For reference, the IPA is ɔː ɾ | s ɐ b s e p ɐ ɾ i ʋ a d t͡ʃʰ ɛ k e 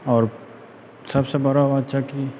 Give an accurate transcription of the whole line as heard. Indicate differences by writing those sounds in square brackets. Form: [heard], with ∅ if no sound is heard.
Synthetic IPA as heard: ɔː ɾ | s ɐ b s e [b] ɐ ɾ [a] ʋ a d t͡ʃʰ [a] k [i]